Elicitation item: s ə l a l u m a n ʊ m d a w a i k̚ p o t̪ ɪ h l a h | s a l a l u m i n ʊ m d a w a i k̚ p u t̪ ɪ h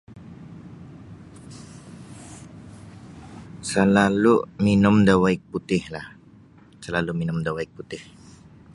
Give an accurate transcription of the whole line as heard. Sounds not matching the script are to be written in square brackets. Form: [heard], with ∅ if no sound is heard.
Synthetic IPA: s ə l a l u m [i] n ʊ m d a w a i k̚ p [u] t̪ ɪ h l a h | s [ə] l a l u m i n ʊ m d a w a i k̚ p u t̪ ɪ h